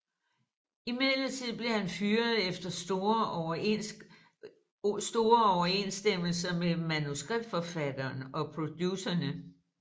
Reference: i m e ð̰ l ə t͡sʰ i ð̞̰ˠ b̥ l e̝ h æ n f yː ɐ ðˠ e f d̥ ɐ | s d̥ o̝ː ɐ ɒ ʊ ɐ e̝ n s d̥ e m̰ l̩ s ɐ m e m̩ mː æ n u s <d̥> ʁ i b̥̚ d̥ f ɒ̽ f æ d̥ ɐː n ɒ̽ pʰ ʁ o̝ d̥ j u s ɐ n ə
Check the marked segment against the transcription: incorrect: ɡ̥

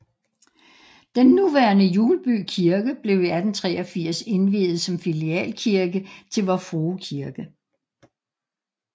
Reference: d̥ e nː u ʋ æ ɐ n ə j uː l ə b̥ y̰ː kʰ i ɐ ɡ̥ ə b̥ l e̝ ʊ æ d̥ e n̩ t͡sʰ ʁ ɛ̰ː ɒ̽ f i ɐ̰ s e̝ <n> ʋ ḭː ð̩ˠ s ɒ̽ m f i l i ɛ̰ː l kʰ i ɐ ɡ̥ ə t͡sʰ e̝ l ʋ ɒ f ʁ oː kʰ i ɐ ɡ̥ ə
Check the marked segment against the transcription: correct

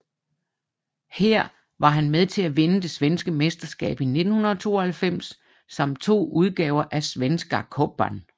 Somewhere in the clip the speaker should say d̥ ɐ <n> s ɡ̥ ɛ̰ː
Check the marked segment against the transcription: incorrect: none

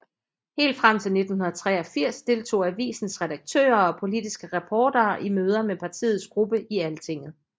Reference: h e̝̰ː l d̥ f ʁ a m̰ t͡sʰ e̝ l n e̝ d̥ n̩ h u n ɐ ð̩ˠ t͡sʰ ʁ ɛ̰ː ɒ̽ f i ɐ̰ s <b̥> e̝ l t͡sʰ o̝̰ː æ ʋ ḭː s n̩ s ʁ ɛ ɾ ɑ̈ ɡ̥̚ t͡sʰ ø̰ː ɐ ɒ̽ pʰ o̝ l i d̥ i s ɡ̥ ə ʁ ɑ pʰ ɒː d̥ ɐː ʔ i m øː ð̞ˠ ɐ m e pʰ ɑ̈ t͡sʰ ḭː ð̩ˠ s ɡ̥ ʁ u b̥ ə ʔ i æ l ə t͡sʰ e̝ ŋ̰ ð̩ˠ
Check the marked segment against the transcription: incorrect: d̥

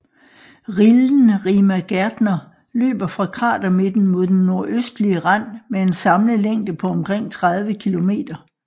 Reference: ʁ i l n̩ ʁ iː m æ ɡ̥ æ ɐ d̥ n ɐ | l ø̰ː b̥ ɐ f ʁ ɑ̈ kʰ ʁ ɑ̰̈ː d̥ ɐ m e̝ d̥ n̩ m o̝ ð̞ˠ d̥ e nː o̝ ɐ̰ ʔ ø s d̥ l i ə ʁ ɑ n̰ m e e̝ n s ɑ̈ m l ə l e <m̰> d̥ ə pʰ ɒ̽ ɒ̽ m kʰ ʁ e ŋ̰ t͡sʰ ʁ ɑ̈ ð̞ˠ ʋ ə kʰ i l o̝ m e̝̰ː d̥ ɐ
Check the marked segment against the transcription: incorrect: ŋ̰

